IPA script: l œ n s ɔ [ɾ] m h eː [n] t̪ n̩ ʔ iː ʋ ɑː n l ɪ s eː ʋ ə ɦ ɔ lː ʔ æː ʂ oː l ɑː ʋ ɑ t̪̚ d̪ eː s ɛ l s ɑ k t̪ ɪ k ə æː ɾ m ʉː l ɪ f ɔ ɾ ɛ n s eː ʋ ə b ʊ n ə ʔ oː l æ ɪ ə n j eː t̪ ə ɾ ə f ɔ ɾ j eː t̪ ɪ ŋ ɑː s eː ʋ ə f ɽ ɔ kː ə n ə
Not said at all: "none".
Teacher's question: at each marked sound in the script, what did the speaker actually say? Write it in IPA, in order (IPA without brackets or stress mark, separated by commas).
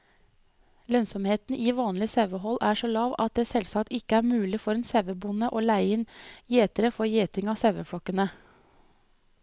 none, none